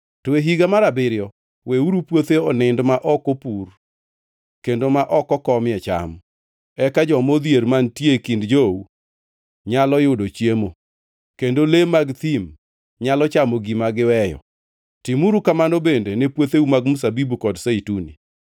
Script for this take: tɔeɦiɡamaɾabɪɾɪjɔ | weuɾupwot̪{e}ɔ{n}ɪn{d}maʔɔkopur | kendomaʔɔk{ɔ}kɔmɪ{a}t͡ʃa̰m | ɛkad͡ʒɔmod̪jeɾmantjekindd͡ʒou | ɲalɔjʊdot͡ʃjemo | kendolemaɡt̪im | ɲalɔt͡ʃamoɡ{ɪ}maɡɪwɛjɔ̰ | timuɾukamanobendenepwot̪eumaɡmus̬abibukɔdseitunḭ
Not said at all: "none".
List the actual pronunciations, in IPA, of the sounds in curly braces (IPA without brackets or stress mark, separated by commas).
e, n, d, ɔ, ɛ, i